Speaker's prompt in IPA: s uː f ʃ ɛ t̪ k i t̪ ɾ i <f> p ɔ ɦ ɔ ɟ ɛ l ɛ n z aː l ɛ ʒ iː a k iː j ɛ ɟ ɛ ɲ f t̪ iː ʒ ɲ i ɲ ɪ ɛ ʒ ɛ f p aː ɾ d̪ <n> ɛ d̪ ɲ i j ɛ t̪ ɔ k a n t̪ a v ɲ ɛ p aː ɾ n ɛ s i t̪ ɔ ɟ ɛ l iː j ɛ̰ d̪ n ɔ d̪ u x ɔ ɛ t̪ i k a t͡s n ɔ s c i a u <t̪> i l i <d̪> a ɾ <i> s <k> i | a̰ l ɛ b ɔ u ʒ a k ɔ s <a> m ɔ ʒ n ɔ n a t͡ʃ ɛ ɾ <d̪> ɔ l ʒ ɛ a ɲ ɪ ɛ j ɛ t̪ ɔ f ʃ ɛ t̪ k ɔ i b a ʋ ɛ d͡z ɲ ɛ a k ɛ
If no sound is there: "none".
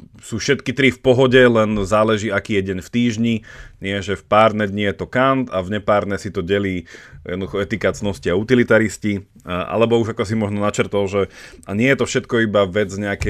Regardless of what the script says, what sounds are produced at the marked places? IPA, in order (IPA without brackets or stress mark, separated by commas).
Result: f, n, t̪, t̪, i, c, i, t̪